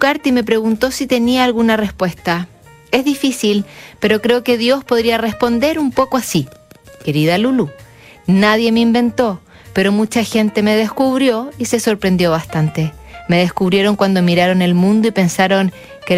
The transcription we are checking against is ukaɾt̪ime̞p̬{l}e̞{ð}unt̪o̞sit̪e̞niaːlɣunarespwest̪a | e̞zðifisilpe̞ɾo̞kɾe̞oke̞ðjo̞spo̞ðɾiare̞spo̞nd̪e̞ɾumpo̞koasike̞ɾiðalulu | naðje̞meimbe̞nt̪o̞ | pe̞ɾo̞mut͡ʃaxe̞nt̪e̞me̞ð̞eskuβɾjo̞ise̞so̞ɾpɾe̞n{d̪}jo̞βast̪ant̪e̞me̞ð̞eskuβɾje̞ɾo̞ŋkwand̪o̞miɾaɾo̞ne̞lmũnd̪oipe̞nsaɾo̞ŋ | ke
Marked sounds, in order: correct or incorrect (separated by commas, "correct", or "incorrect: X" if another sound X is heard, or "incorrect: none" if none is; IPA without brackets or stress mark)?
incorrect: ɾ, incorrect: ɣ, correct